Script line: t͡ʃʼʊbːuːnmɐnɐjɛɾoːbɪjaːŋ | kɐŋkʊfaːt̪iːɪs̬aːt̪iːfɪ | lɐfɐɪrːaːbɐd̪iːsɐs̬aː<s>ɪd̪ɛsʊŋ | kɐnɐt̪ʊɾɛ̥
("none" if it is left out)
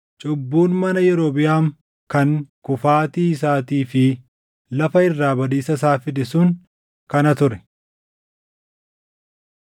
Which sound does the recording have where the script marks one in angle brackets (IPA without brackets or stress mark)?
f